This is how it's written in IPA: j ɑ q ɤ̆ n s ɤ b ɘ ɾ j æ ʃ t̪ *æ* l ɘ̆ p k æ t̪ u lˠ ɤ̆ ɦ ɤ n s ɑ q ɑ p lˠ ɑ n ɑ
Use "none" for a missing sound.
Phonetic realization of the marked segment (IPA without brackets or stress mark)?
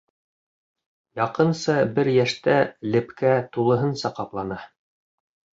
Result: æ